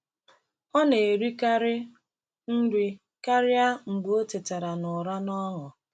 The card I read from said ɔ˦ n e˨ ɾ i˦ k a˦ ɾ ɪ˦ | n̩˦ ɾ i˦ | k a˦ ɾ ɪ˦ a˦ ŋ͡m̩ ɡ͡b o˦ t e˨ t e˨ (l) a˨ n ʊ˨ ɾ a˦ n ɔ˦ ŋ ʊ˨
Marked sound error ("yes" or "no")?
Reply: yes